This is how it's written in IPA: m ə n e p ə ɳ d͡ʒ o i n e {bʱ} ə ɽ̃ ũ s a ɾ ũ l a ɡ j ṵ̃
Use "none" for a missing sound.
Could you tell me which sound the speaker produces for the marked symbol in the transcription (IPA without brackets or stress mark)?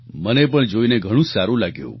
ɡʱ